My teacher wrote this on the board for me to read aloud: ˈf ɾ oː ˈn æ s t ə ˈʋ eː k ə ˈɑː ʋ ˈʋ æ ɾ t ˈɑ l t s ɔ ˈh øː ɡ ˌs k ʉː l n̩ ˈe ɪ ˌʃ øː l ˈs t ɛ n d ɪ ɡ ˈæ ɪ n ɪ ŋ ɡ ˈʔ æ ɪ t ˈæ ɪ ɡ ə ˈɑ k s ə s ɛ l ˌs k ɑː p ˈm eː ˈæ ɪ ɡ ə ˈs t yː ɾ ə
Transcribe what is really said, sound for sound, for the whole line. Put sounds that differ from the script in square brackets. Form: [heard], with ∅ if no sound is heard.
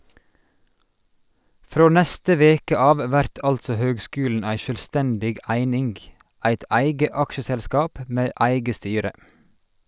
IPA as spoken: ˈf ɾ oː ˈn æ s t ə ˈʋ eː k ə ˈɑː ʋ ˈʋ æ ɾ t ˈɑ l t s ɔ ˈh øː ɡ ˌs k ʉː l n̩ [ˈæ] ɪ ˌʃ øː l ˈs t ɛ n d ɪ ɡ ˈæ ɪ n ɪ ŋ ɡ ˈʔ æ ɪ t ˈæ ɪ ɡ ə ˈɑ k [ʃ] ə s ɛ l ˌs k ɑː p ˈm eː ˈæ ɪ ɡ ə ˈs t yː ɾ ə